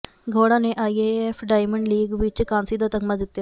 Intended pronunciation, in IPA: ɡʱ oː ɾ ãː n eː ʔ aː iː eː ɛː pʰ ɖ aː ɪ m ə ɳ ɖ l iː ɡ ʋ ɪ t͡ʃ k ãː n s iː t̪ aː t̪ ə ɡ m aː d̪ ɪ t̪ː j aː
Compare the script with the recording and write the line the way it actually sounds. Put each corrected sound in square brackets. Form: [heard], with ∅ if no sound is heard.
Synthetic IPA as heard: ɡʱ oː [ɽ] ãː n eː ʔ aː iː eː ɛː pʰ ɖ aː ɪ m ə ɳ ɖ l iː ɡ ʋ ɪ t͡ʃ k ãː n s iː [d̪] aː t̪ ə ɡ m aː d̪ ɪ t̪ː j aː